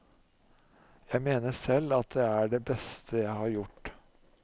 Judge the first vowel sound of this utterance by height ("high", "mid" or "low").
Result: low